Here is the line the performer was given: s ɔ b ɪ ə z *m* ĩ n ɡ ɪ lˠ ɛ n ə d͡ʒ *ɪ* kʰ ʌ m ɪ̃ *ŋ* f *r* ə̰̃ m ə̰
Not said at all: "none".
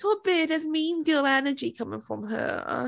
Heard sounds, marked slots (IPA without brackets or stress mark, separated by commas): m, i, ŋ, ɹ